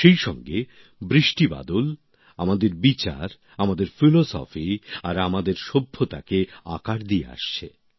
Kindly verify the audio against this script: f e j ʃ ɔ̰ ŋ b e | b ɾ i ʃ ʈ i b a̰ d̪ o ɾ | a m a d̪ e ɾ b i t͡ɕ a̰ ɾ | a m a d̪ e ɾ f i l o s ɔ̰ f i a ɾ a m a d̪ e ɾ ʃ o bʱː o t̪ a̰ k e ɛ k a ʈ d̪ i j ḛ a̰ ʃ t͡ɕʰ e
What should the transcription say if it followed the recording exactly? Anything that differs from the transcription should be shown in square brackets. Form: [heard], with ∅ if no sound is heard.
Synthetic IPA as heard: [ʃ] e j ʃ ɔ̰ ŋ [ɡ] e | b ɾ i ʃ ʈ i b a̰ d̪ o [l] | a m a d̪ e ɾ b i t͡ɕ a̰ ɾ | a m a d̪ e ɾ f i l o s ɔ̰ f i a ɾ a m a d̪ e ɾ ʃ o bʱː o t̪ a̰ k e [a] k a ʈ d̪ i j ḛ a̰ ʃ t͡ɕʰ e

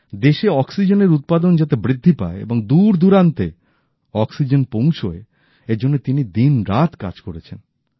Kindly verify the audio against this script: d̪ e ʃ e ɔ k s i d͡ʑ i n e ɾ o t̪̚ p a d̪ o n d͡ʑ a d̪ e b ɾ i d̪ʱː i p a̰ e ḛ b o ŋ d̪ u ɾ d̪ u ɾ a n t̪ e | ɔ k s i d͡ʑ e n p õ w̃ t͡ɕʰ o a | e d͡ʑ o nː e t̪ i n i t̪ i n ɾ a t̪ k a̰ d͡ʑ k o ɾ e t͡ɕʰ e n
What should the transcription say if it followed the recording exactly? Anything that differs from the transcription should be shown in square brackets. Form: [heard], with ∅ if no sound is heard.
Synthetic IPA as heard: d̪ e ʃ e ɔ k s i d͡ʑ [e] n e ɾ [u] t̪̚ p a d̪ o n d͡ʑ a [t̪] e b ɾ i d̪ʱː i p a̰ e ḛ b o ŋ d̪ u ɾ d̪ u ɾ a n t̪ e | ɔ k s i d͡ʑ e n p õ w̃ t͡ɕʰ o [e] | e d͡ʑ o nː e t̪ i n i [d̪] i n ɾ a t̪ k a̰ d͡ʑ k o ɾ e t͡ɕʰ e n

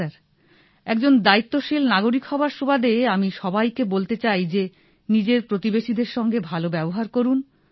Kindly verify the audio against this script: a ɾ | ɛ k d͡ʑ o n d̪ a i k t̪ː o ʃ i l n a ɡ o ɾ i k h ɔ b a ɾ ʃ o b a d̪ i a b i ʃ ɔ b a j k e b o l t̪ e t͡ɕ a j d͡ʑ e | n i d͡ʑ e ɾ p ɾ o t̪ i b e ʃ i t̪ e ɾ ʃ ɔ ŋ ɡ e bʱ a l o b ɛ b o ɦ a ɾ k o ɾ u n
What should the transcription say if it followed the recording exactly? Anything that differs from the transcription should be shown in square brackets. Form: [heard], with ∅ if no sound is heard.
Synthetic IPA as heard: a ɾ | ɛ k d͡ʑ o n d̪ a i [∅] t̪ː o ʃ i l n a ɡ o ɾ i k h ɔ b a ɾ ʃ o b a d̪ [e] a [m] i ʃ ɔ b a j k e b o l t̪ e t͡ɕ a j d͡ʑ e | n i d͡ʑ e ɾ p ɾ o t̪ i b e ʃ i [d̪] e ɾ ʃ ɔ ŋ ɡ e bʱ a l o b ɛ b o ɦ a ɾ k o ɾ u n

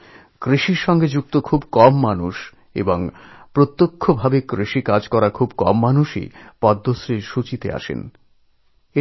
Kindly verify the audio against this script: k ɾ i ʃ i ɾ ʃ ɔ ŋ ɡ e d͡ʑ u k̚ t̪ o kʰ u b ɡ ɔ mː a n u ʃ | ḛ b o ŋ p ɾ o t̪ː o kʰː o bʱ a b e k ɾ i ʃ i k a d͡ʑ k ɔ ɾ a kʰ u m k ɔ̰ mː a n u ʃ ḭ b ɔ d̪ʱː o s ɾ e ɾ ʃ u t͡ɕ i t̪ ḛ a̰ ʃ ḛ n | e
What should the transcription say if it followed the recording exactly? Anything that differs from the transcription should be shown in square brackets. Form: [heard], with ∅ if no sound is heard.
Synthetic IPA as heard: k ɾ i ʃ i ɾ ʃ ɔ ŋ ɡ e d͡ʑ u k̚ t̪ o kʰ u b [k] ɔ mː a n u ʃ | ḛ b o ŋ p ɾ o t̪ː o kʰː o bʱ a b e k ɾ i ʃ i k a d͡ʑ k ɔ ɾ a kʰ u [b] k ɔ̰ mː a n u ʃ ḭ [p] ɔ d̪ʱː o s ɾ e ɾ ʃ u t͡ɕ i t̪ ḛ a̰ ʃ ḛ n | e

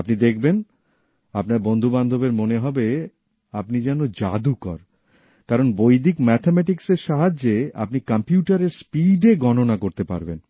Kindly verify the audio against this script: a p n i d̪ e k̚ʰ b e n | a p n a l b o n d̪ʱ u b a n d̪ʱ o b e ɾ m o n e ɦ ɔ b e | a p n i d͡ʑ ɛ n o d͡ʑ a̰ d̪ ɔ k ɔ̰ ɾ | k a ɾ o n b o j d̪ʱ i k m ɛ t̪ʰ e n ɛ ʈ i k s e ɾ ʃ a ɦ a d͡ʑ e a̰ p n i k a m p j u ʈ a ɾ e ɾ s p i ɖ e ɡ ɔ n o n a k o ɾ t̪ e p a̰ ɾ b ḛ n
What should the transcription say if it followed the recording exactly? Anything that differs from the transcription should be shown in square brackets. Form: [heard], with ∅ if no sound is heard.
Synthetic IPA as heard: a p n i d̪ e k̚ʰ b e n | a p n a [ɾ] b o n d̪ʱ u b a n d̪ʱ o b e ɾ m o n e ɦ ɔ b e | a p n i d͡ʑ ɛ n o d͡ʑ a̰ d̪ [u] k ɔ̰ ɾ | k a ɾ o n b o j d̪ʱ i k m ɛ t̪ʰ e [m] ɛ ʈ i k s e ɾ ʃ a ɦ a d͡ʑ e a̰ p n i k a m p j u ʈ a ɾ e ɾ s p i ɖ e ɡ ɔ n o n a k o ɾ t̪ e p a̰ ɾ b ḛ n

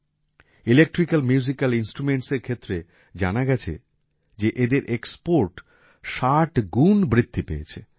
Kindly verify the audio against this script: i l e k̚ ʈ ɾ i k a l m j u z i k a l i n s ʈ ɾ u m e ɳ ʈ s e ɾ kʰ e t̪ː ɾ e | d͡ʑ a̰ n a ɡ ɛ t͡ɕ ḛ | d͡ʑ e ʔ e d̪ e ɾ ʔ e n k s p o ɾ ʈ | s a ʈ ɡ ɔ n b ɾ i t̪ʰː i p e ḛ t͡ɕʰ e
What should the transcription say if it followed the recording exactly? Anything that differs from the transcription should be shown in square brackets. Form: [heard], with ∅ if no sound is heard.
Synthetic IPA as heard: i l e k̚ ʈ ɾ i k a l m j u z i k a l i n s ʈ ɾ u m e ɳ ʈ s e ɾ kʰ e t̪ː ɾ e | d͡ʑ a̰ n a ɡ ɛ [t͡ɕʰ] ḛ | d͡ʑ e ʔ e d̪ e ɾ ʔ e [∅] k s p o ɾ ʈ | [ʃ] a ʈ ɡ [u] n b ɾ i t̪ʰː i p e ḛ t͡ɕʰ e

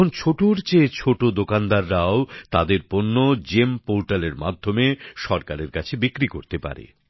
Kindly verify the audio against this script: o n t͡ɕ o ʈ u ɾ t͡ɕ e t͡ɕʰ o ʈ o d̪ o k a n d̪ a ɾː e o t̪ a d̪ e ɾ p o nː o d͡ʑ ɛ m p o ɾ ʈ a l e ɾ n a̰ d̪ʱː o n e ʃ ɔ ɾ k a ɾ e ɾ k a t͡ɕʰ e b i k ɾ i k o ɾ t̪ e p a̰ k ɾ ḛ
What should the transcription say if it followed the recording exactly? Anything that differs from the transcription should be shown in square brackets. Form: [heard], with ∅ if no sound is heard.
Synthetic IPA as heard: o n [t͡ɕʰ] o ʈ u ɾ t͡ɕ e t͡ɕʰ o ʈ o d̪ o k a n d̪ a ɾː [a] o t̪ a d̪ e ɾ p o nː o d͡ʑ [e] m p o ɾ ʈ a l e ɾ [m] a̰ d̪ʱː o [m] e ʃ ɔ ɾ k a ɾ e ɾ k a t͡ɕʰ e b i k ɾ i k o ɾ t̪ e p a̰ [∅] ɾ ḛ

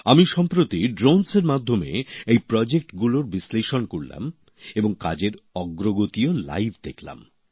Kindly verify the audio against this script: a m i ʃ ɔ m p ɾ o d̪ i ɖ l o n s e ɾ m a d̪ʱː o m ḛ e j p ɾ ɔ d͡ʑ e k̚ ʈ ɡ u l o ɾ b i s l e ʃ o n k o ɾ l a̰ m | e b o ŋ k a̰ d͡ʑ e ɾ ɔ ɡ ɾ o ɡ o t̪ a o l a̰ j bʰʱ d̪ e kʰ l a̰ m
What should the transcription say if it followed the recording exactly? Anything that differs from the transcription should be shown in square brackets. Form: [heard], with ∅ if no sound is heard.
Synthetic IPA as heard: a m i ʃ ɔ m p ɾ o [t̪] i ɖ [ɾ] o n s e ɾ m a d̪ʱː o m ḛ e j p ɾ ɔ d͡ʑ e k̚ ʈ ɡ u l o ɾ b i s l e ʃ o n k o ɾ l a̰ m | e b o ŋ k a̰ d͡ʑ e ɾ ɔ ɡ ɾ o ɡ o t̪ [i] o l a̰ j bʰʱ d̪ e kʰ l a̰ m

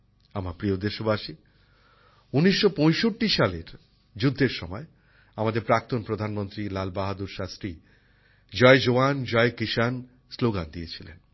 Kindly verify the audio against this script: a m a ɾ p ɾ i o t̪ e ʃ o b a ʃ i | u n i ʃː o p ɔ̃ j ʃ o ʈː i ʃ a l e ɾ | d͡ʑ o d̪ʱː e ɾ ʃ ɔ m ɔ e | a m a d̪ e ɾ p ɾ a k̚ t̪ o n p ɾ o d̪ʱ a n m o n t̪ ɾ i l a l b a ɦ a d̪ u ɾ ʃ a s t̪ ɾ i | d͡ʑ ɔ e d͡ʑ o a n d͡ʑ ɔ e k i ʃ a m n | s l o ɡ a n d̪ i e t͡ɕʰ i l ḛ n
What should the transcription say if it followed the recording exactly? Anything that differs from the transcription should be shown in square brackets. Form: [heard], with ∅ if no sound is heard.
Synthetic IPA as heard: a m a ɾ p ɾ i o [d̪] e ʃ o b a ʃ i | u n i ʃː o p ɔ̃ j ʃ o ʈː i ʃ a l e ɾ | d͡ʑ [u] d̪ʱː e ɾ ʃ ɔ m ɔ e | a m a d̪ e ɾ p ɾ a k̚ t̪ o n p ɾ o d̪ʱ a n m o n t̪ ɾ i l a l b a ɦ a d̪ u ɾ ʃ a s t̪ ɾ i | d͡ʑ ɔ e d͡ʑ o a n d͡ʑ ɔ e k i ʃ a [∅] n | s l o ɡ a n d̪ i e t͡ɕʰ i l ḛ n

